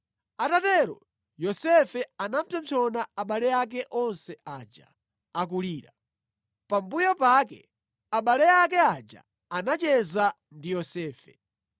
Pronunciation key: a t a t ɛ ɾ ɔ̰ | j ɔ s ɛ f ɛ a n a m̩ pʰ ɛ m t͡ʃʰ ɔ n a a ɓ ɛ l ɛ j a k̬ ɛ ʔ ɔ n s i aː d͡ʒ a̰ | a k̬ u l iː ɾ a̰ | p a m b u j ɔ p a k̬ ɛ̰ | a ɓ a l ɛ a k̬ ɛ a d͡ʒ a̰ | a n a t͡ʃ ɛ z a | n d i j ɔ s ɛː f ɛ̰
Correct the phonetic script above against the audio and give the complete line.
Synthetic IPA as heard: a t a t ɛ ɾ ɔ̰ | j ɔ s ɛ f ɛ a n a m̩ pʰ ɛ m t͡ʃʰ ɔ n a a ɓ a l ɛ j a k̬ ɛ ʔ ɔ n s ɛ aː d͡ʒ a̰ | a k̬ u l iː ɾ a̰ | p a m b u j ɔ p a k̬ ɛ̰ | a ɓ a l ɛ a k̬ ɛ a d͡ʒ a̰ | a n a t͡ʃ ɛ z a | n d i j ɔ s ɛː f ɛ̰